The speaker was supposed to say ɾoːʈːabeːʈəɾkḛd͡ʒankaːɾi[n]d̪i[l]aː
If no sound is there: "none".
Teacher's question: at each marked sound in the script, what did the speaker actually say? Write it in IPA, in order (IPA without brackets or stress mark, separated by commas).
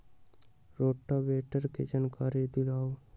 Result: none, l